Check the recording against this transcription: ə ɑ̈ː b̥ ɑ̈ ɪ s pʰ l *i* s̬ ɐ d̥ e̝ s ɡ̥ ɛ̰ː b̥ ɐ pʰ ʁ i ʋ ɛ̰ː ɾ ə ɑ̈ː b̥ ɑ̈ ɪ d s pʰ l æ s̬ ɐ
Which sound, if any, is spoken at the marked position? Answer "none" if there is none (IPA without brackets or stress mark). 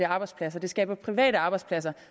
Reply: æ